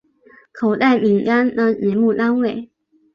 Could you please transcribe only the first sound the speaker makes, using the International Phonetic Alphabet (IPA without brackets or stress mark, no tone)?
kʰ